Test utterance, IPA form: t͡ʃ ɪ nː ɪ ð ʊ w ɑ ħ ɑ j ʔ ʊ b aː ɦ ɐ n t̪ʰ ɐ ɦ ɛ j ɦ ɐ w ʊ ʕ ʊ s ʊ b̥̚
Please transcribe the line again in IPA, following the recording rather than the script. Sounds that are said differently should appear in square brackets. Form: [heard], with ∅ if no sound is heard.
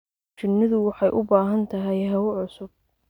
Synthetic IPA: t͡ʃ ɪ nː ɪ ð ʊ w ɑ ħ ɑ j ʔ ʊ b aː ɦ ɐ n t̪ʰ ɐ ɦ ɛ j ɦ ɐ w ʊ ʕ ʊ s ʊ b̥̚